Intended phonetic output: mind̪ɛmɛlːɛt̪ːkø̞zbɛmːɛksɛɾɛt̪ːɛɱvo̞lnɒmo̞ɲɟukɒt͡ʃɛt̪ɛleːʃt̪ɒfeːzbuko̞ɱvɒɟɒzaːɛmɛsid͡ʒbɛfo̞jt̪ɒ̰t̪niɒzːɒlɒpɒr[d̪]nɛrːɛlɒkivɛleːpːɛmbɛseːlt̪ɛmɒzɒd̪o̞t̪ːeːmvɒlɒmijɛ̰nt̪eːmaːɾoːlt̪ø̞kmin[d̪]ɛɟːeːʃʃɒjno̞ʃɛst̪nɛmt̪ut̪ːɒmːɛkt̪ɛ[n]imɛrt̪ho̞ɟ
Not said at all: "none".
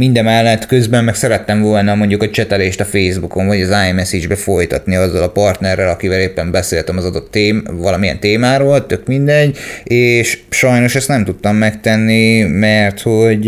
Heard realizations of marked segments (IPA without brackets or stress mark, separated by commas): t̪, d̪, nː